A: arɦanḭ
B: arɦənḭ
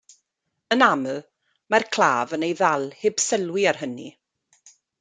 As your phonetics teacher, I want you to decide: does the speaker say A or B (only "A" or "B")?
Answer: B